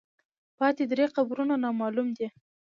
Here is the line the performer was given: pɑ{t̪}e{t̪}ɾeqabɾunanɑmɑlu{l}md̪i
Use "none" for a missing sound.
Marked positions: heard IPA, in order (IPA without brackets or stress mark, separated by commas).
t̪, d̪, none